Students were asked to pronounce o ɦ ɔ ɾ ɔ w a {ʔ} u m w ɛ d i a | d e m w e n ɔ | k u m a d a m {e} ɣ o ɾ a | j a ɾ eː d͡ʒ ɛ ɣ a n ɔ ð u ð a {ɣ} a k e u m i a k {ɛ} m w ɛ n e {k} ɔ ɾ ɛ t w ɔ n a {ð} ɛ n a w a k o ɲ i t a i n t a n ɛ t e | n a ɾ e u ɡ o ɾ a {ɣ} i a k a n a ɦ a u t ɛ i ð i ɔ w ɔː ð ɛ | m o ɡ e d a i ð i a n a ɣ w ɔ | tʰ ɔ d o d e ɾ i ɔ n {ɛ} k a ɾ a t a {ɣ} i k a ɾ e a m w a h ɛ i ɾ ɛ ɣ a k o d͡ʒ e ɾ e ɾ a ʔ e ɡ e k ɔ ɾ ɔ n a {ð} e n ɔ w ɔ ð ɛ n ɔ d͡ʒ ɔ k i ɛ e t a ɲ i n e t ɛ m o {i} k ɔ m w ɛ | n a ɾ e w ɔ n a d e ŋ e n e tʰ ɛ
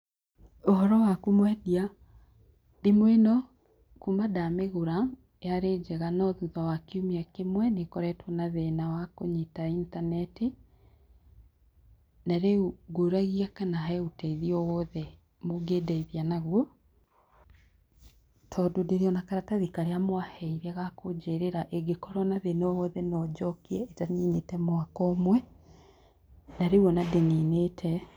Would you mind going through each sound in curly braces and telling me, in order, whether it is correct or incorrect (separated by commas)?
incorrect, correct, incorrect, incorrect, correct, correct, correct, incorrect, incorrect, correct, incorrect